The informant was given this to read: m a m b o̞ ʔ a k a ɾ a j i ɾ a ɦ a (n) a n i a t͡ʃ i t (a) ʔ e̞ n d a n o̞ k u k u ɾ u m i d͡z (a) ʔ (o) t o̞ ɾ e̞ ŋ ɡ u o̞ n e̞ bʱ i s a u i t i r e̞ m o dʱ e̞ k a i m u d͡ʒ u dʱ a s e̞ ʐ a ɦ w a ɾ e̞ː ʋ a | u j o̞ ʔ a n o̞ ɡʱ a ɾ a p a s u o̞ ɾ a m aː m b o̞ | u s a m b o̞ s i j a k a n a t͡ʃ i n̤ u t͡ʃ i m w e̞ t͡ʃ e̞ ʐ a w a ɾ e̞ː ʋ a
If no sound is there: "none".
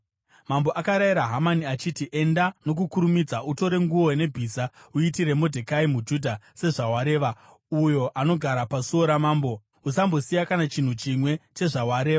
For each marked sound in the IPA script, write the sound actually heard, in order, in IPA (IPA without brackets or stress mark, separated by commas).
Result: m, i, a, u